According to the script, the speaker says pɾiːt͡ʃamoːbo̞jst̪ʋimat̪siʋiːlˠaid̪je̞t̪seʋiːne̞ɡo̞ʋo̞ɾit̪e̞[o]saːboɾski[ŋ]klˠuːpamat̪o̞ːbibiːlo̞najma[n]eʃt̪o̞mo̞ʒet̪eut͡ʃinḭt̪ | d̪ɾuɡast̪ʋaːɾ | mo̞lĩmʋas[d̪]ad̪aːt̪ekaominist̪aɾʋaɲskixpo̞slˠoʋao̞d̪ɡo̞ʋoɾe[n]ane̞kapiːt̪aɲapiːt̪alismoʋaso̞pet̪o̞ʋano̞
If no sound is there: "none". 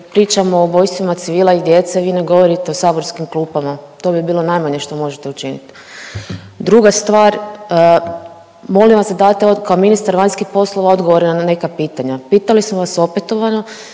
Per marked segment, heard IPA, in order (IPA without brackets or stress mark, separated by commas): o, m, ɲ, d̪, n